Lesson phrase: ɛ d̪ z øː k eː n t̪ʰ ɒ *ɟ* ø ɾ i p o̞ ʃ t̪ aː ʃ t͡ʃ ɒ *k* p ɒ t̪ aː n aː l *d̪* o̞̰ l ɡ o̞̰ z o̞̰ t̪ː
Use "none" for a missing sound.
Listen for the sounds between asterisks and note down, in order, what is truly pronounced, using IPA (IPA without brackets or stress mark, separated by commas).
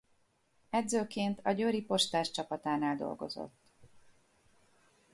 ɟ, none, d̪